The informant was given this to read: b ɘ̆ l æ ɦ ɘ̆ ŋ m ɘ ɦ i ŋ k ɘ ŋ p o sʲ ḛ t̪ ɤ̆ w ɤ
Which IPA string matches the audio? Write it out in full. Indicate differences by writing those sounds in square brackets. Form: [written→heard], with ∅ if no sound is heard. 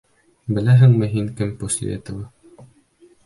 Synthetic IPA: b ɘ̆ l æ ɦ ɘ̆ ŋ m ɘ ɦ i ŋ k ɘ [ŋ→m] p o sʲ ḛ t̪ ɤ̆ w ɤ